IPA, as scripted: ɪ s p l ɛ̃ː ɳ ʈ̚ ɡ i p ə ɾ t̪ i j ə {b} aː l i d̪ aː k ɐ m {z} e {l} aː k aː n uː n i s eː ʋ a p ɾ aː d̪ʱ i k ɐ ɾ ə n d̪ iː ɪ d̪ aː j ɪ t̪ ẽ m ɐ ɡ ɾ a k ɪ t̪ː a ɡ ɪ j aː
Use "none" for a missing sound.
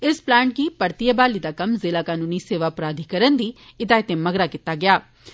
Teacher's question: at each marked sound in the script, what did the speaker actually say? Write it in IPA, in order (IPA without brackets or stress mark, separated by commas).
b, z, l